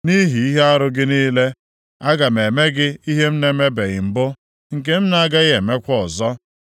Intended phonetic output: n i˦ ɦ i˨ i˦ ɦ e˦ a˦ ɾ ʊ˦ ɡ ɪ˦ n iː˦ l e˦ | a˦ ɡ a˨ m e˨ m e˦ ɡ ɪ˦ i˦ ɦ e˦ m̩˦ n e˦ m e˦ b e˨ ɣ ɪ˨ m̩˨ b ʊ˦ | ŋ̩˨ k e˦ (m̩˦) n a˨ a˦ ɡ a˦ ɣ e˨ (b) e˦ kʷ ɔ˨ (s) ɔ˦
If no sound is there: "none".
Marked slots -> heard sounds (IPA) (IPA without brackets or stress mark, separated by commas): m̩˦, m, z